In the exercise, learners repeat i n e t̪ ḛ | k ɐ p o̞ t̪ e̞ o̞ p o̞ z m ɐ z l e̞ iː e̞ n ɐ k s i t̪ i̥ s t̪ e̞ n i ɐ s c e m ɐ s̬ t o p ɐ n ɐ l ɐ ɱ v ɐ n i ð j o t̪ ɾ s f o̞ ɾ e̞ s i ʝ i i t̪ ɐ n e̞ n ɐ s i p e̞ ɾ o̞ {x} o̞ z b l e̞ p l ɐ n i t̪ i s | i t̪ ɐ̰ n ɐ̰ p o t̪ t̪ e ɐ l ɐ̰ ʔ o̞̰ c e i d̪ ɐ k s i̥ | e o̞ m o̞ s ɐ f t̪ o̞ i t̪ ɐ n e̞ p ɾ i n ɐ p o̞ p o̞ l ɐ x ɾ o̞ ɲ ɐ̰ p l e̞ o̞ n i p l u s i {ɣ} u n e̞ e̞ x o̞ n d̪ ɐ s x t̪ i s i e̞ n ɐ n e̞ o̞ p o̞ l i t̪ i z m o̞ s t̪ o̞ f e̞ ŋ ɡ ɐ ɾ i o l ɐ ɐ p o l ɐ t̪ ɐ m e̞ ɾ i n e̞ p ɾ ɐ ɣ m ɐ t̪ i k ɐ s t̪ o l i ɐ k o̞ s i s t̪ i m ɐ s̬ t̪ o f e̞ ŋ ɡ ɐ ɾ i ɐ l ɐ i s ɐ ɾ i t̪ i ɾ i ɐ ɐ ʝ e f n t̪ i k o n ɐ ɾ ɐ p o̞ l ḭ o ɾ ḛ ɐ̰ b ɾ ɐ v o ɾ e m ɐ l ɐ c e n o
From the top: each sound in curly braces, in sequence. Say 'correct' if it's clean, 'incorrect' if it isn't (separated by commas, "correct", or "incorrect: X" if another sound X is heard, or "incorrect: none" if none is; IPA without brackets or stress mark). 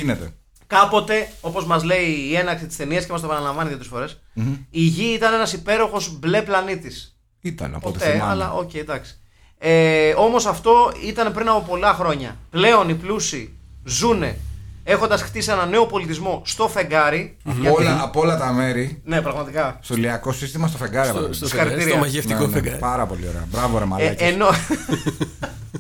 correct, incorrect: z